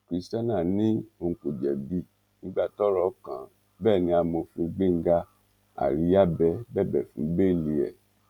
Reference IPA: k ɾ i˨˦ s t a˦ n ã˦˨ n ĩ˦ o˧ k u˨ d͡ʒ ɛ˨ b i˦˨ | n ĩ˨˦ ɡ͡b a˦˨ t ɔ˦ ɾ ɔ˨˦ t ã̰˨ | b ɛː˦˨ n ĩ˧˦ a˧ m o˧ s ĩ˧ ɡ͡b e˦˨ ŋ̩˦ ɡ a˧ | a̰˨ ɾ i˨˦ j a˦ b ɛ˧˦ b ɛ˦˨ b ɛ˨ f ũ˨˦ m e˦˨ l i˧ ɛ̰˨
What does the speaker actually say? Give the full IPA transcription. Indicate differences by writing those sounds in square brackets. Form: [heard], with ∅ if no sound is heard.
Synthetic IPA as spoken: k ɾ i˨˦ s t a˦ n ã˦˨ n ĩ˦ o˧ k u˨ d͡ʒ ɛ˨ b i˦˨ | n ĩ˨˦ ɡ͡b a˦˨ t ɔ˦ ɾ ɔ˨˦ [k] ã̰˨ | b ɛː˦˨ n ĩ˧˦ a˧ m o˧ [f] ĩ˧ ɡ͡b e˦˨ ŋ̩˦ ɡ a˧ | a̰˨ ɾ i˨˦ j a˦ b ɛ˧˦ b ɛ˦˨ b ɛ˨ f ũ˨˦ [b] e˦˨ l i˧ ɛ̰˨